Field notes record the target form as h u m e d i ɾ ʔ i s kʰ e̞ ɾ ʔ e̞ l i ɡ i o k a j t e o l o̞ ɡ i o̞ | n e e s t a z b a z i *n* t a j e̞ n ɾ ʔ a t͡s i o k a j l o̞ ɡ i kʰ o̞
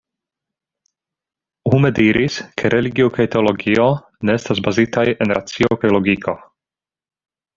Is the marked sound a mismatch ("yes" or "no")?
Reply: yes